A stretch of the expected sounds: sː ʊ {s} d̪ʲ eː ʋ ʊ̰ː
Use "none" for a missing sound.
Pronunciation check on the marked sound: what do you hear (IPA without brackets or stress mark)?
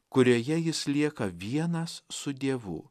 none